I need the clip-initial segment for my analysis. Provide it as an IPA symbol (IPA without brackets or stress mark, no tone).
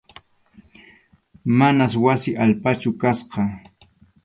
m